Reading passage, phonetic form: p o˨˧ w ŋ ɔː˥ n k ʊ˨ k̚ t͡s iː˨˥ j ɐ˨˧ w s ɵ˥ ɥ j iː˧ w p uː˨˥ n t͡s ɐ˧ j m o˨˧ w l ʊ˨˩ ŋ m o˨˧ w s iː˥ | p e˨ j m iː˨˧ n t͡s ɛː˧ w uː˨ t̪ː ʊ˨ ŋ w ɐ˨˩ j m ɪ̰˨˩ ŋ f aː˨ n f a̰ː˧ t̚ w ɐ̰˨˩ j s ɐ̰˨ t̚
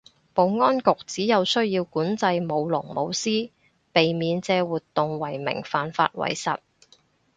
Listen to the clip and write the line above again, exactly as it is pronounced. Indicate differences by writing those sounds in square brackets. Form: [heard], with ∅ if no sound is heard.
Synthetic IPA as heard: p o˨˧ w ŋ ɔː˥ n k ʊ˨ k̚ t͡s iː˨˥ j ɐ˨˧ w s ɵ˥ ɥ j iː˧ w [k] uː˨˥ n t͡s ɐ˧ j m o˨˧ w l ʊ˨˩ ŋ m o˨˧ w s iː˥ | p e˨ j m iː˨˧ n t͡s ɛː˧ w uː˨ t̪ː ʊ˨ ŋ w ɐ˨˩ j m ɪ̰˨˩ ŋ f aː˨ n f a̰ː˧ t̚ w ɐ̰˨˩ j s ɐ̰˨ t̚

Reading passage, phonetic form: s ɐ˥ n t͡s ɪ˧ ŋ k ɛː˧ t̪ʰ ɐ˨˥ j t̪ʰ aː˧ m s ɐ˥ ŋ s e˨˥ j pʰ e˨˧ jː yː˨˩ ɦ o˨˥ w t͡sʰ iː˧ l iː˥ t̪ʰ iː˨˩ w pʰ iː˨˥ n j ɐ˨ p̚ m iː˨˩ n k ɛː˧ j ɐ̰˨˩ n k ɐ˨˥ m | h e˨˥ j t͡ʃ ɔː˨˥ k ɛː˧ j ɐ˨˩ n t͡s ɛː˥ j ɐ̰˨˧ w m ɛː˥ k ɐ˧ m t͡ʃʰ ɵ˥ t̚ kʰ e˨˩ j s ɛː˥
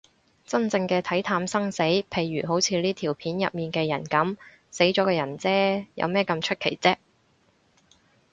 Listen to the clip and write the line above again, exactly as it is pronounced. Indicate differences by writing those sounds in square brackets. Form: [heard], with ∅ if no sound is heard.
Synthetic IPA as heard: [t͡s] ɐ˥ n t͡s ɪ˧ ŋ k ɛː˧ t̪ʰ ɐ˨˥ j t̪ʰ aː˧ m s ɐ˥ ŋ s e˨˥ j pʰ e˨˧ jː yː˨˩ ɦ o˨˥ w t͡sʰ iː˧ l iː˥ t̪ʰ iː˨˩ w pʰ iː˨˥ n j ɐ˨ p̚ m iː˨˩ n k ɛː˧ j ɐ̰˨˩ n k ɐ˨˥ m | [s] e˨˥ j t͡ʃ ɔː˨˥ k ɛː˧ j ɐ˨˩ n t͡s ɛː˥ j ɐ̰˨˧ w m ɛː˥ k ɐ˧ m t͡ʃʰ ɵ˥ t̚ kʰ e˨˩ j [t͡s] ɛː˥

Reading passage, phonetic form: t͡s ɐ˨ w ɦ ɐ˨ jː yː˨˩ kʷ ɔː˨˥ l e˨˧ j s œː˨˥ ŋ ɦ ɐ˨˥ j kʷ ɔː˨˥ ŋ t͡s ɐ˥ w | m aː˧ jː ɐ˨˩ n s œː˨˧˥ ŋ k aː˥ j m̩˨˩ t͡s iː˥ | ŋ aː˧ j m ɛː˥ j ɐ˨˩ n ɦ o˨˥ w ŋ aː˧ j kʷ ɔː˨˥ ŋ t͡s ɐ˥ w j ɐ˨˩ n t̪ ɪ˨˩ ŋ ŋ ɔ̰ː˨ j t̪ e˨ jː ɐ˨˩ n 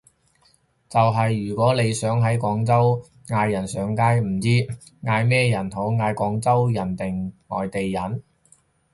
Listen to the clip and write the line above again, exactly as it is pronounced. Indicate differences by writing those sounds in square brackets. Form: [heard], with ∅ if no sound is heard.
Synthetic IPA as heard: t͡s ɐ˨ w ɦ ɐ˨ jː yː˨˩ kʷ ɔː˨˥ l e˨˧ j s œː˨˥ ŋ ɦ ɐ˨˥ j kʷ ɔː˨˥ ŋ t͡s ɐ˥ w | [ŋ] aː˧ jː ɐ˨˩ n s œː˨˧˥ ŋ k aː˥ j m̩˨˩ t͡s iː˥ | ŋ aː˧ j m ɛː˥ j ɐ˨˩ n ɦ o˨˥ w ŋ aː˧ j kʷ ɔː˨˥ ŋ t͡s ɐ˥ w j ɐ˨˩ n t̪ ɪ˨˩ ŋ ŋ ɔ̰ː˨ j t̪ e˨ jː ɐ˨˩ n

